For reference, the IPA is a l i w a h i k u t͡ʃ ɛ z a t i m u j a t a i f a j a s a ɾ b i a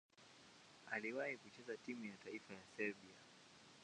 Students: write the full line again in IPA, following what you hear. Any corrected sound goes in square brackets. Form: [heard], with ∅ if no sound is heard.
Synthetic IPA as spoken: a l i w a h i k u t͡ʃ ɛ z a t i m u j a t a i f a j a s [ɛ] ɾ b i a